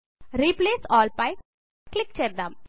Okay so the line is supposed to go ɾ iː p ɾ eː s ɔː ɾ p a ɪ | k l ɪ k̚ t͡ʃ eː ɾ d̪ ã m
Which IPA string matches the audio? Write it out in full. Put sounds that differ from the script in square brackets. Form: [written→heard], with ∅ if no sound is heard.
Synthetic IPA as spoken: ɾ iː p [ɾ→l] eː s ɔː [ɾ→l] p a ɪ | k l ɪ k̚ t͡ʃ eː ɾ d̪ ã m